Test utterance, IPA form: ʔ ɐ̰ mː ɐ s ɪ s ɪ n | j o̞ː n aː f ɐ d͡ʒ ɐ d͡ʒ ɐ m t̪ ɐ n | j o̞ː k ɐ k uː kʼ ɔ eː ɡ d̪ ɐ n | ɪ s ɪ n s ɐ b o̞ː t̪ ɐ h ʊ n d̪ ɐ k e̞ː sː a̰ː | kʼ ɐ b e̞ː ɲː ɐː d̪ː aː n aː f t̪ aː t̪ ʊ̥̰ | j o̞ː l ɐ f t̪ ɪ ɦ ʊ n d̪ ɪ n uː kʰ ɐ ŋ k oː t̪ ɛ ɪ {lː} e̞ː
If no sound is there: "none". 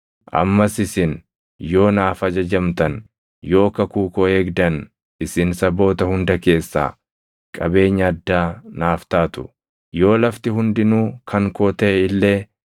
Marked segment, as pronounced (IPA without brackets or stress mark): lː